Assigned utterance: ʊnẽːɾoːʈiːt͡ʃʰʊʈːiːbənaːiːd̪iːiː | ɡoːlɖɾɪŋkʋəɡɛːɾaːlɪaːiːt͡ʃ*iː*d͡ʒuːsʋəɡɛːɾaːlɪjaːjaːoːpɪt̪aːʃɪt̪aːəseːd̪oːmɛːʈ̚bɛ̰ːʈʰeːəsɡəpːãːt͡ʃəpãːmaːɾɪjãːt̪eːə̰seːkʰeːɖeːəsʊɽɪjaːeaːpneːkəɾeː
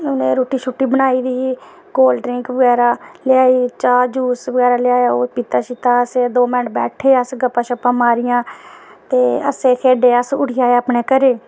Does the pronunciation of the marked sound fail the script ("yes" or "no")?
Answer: yes